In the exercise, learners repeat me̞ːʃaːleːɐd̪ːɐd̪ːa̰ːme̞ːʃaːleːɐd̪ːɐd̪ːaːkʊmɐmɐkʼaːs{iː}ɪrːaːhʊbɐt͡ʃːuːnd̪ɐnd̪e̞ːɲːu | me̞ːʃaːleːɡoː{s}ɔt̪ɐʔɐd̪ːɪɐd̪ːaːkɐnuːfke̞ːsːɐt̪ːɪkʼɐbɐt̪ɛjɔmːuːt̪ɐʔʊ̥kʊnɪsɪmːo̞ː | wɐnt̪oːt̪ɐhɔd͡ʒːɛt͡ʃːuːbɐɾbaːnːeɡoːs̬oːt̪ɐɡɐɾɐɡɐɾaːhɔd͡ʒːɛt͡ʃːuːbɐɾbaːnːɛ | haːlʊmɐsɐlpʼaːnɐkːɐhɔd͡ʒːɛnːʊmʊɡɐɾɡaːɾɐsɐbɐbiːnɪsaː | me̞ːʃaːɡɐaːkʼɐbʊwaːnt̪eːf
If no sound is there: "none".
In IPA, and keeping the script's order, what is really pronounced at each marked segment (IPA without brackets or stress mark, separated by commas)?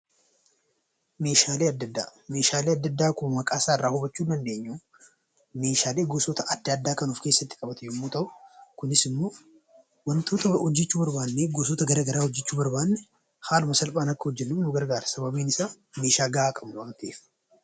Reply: aː, s